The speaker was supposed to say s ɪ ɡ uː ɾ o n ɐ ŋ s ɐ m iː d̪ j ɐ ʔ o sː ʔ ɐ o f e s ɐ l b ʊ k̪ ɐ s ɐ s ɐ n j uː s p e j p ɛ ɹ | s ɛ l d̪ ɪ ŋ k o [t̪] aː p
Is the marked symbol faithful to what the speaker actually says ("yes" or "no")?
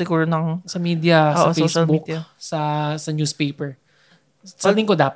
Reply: no